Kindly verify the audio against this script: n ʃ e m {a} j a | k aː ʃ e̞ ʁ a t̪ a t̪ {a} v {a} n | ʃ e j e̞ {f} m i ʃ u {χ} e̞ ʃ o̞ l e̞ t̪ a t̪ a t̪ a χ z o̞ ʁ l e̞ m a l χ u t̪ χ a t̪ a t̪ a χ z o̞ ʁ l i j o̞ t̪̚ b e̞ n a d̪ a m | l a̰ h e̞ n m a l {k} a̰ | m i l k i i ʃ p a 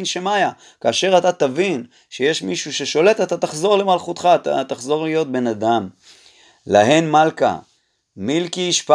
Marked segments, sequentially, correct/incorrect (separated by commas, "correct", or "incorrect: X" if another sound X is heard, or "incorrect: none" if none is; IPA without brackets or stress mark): correct, correct, incorrect: i, incorrect: ʃ, incorrect: ʃ, correct